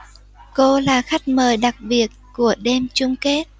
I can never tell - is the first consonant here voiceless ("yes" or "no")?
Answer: yes